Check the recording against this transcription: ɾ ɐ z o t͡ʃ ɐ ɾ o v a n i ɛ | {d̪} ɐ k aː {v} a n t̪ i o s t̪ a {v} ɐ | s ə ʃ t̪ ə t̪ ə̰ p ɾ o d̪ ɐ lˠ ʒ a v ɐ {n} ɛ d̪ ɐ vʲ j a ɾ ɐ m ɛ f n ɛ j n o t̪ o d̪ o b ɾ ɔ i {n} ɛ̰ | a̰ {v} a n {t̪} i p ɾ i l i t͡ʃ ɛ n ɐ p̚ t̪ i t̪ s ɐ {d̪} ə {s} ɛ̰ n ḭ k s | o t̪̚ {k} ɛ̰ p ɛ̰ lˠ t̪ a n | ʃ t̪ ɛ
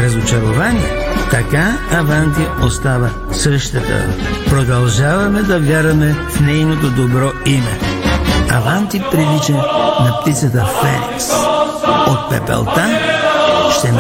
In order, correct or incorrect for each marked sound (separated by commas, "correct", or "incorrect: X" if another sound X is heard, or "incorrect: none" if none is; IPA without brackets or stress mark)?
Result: incorrect: t̪, correct, correct, incorrect: m, incorrect: m, correct, correct, incorrect: t̪, incorrect: f, incorrect: p